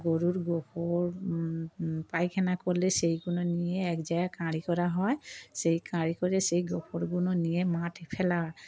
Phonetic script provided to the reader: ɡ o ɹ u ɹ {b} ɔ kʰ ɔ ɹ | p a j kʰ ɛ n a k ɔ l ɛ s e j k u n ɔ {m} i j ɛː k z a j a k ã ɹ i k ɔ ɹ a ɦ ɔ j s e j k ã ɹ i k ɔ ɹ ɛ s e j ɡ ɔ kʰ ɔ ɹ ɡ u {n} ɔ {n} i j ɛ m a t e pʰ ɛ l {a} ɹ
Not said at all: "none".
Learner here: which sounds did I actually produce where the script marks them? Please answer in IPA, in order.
ɡ, n, n, n, a

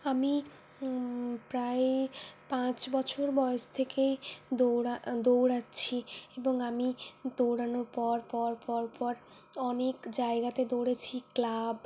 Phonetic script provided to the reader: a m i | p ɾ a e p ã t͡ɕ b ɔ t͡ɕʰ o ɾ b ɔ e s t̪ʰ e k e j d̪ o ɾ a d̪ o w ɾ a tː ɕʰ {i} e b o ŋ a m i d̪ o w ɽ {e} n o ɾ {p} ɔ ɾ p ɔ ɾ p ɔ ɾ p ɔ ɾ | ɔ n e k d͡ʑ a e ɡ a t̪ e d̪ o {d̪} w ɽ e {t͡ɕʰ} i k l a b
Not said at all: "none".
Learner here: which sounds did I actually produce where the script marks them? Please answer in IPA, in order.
i, a, p, none, t͡ɕʰ

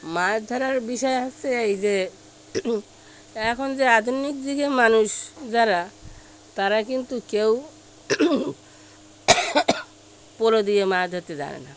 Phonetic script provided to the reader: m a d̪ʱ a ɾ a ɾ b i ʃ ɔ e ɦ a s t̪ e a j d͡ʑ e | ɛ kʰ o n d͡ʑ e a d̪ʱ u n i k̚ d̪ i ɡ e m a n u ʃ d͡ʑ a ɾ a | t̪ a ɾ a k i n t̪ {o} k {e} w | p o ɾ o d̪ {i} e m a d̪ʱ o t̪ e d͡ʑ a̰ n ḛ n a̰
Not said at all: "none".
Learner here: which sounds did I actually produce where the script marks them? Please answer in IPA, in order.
u, e, i

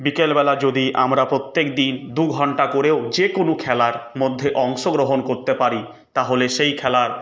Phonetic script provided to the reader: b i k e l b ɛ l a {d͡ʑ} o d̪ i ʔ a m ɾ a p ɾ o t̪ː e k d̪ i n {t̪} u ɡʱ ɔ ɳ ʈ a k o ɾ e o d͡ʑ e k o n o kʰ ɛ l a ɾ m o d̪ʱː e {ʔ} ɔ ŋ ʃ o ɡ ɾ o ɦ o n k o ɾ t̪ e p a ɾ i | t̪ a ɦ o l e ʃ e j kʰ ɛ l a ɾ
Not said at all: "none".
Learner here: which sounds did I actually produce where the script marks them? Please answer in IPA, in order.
d͡ʑ, d̪, ʔ

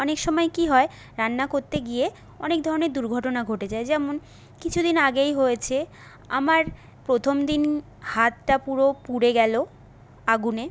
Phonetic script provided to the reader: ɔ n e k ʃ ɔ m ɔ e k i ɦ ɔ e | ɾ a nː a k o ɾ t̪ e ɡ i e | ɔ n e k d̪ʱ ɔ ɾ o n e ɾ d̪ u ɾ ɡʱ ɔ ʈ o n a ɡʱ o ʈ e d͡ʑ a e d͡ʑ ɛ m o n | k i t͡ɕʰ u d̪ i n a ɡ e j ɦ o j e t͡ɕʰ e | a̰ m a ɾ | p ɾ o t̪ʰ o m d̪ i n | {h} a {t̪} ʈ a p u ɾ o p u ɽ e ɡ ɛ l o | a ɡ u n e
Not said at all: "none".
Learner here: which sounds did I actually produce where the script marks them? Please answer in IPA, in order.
h, t̪

